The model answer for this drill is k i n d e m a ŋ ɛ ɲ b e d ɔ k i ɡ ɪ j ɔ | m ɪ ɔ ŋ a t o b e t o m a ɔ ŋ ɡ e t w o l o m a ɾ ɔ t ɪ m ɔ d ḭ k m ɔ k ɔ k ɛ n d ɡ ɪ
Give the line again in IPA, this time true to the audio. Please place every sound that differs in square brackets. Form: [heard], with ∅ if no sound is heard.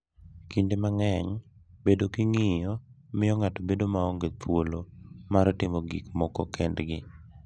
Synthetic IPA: k i n d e m a ŋ ɛ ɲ b e d [o] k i [ŋ] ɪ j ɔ | m ɪ ɔ ŋ a t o b e [d] o m a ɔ ŋ ɡ e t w o l o m a ɾ ɔ t ɪ m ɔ [ɡ] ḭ k m ɔ k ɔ k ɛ n d ɡ ɪ